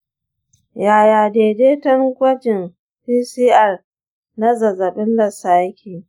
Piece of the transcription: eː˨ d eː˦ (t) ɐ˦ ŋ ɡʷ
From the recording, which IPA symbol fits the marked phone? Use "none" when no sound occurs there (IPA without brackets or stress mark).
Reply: t